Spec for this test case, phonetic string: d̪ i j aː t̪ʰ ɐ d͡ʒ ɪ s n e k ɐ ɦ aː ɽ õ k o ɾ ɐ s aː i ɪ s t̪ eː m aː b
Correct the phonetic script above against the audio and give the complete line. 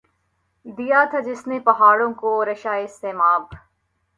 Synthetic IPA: d̪ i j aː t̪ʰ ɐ d͡ʒ ɪ s n e p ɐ ɦ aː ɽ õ k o ɾ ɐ ʃ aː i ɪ s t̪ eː m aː b

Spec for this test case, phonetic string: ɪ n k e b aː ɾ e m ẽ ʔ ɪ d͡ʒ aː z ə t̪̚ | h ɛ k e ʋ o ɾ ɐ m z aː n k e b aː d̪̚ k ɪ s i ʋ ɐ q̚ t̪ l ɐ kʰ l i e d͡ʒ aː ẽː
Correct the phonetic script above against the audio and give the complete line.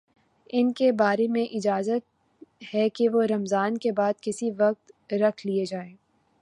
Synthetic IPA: ɪ n k e b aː ɾ e m ẽ ʔ ɪ d͡ʒ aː z ə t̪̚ | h ɛ k e ʋ o ɾ ɐ m z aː n k e b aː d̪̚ k ɪ s i ʋ ɐ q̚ t̪ ɾ ɐ kʰ l i e d͡ʒ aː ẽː

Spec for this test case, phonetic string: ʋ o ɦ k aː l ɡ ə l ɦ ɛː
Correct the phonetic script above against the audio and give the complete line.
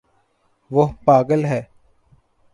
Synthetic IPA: ʋ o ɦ p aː ɡ ə l ɦ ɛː

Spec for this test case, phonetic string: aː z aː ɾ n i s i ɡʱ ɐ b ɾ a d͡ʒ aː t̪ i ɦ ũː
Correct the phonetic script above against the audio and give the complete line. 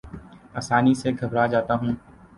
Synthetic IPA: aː s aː n i s e ɡʱ ɐ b ɾ a d͡ʒ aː t̪ a ɦ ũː

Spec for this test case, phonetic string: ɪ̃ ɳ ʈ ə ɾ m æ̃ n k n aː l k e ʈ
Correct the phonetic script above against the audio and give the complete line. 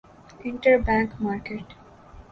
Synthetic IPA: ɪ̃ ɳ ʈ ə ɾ b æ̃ ŋ k m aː ɾ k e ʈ

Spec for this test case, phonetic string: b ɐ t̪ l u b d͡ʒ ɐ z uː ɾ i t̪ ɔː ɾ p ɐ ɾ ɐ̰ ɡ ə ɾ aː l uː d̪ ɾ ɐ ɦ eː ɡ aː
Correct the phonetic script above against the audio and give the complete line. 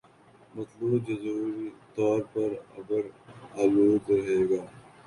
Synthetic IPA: m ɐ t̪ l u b d͡ʒ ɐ z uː ɾ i t̪ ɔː ɾ p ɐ ɾ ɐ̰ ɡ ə ɾ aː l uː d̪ ɾ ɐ ɦ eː ɡ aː

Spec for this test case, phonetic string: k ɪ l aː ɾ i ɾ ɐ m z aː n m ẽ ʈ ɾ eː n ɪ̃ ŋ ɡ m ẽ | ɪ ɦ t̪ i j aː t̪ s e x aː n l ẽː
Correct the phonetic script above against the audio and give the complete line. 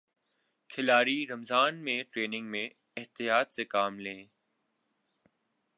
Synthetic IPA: kʰ ɪ l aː ɾ i ɾ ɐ m z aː n m ẽ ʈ ɾ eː n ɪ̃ ŋ ɡ m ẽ | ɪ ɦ t̪ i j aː t̪ s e k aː m l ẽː

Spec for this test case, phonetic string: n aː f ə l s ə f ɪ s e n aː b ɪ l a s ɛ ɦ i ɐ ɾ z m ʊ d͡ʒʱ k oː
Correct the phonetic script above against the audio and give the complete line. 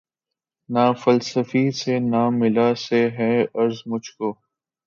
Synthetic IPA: n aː f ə l s ə f i s e n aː m ɪ l a s e ɦ ɛ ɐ ɾ z m ʊ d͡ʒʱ k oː

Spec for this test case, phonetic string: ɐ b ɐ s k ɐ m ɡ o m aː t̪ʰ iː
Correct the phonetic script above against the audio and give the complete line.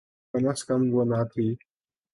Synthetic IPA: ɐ m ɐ s k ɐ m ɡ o n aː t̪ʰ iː

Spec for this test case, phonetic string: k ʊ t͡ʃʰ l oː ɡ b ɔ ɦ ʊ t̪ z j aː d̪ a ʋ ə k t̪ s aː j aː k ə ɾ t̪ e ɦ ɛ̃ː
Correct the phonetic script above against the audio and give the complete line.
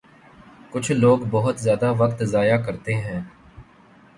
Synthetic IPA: k ʊ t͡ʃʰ l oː ɡ b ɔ ɦ ʊ t̪ z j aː d̪ a ʋ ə k t̪ z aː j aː k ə ɾ t̪ e ɦ ɛ̃ː

